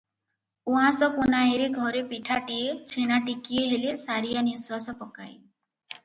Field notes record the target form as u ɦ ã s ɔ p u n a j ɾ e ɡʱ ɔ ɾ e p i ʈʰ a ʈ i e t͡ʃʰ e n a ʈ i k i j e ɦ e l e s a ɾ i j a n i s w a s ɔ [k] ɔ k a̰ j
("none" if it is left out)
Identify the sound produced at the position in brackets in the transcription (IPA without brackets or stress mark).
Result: p